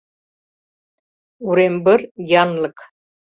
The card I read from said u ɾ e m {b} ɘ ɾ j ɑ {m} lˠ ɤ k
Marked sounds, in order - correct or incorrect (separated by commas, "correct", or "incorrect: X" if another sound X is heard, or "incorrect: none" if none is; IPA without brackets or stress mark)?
correct, incorrect: n